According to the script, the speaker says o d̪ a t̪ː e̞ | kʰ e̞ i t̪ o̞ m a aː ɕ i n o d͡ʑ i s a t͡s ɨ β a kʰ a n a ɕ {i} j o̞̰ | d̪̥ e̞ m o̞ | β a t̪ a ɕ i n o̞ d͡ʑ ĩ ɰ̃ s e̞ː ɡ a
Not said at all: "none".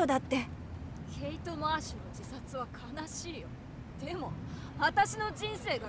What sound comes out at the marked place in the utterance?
iː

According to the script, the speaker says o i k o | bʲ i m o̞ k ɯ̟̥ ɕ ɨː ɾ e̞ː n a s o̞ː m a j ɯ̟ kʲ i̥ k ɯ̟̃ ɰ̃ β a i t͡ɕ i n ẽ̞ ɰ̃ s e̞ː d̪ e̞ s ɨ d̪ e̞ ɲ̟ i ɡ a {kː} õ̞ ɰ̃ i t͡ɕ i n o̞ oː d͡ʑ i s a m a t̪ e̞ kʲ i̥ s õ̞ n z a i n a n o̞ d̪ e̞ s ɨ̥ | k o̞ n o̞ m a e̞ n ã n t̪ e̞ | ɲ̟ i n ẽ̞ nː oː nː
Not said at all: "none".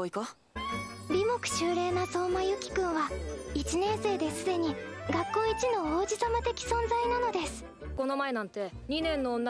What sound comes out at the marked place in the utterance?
kː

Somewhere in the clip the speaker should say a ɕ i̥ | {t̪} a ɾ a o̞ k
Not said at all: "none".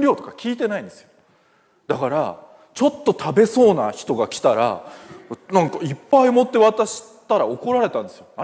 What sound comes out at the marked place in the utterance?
t̪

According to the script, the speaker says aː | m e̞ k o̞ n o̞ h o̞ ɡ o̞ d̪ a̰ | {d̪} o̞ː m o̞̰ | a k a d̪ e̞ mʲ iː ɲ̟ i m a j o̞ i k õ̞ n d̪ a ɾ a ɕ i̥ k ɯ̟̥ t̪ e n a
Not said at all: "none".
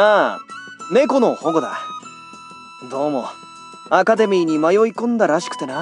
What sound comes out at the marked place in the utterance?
d̪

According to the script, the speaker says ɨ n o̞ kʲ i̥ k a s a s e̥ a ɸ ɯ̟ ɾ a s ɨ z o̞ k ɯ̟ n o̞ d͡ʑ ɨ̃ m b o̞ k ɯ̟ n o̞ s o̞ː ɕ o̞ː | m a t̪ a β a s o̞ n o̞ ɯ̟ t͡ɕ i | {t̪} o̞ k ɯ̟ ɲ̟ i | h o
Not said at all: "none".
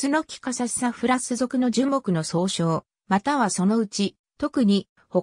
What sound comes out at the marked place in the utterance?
t̪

